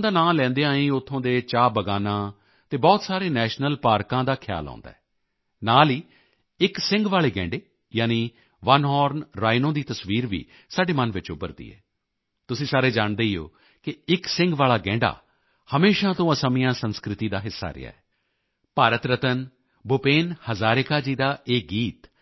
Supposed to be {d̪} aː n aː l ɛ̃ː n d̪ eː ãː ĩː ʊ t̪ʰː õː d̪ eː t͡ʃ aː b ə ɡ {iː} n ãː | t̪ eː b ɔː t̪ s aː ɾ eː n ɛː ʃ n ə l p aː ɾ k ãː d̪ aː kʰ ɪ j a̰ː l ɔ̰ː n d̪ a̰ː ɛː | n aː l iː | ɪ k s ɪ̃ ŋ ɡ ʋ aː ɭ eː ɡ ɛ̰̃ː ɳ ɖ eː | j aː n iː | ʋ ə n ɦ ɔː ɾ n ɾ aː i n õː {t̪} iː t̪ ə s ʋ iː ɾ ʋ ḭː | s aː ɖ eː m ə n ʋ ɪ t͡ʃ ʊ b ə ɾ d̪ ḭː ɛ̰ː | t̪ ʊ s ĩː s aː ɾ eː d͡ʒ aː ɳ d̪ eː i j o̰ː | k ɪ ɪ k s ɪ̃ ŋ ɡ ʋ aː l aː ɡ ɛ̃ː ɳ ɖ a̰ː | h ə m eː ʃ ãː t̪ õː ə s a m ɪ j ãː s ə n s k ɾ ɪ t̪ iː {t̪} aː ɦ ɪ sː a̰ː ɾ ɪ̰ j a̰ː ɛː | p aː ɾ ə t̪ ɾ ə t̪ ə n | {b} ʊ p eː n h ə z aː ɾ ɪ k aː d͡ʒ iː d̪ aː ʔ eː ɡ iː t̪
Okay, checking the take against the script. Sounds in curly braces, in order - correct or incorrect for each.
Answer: correct, incorrect: aː, incorrect: d̪, incorrect: d̪, correct

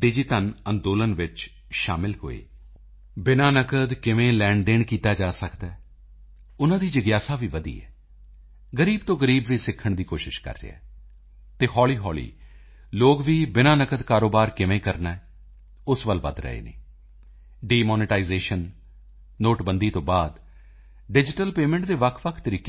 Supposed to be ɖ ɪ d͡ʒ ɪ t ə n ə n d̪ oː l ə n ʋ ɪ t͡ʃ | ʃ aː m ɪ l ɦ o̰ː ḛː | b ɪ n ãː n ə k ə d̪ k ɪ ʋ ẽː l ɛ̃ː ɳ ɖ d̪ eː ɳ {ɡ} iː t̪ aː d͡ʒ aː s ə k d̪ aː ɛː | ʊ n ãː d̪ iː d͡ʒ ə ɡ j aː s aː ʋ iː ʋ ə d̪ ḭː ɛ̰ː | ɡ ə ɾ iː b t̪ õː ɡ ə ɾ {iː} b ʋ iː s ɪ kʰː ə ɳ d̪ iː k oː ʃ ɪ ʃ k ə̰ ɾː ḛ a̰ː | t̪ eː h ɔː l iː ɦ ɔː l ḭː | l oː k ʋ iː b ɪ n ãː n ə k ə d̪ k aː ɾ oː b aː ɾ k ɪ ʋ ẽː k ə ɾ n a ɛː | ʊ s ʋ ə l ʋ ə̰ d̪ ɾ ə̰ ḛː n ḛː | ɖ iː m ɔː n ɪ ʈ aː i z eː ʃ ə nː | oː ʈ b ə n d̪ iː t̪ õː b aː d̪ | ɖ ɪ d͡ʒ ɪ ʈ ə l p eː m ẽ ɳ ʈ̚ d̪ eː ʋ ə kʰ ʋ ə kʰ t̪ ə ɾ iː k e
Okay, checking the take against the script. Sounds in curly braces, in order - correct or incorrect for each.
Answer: incorrect: k, correct

